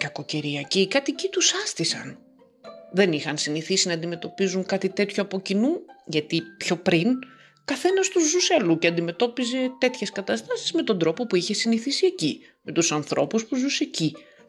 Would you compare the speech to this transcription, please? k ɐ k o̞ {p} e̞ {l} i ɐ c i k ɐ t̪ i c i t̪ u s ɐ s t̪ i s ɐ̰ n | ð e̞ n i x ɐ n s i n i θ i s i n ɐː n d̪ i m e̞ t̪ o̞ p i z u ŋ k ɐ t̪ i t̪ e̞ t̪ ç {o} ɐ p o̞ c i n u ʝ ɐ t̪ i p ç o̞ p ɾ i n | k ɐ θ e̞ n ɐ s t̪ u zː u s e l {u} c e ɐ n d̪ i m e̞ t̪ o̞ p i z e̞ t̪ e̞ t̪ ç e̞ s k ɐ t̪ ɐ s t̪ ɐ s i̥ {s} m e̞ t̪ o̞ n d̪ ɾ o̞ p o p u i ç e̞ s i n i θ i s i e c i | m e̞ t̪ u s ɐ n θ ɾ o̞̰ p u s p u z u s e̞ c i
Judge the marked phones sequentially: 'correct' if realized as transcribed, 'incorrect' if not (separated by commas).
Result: incorrect, incorrect, correct, correct, incorrect